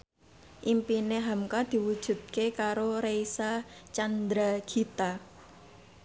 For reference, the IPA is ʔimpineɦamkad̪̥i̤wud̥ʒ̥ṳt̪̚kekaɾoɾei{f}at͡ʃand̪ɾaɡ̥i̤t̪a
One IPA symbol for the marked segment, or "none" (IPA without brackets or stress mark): s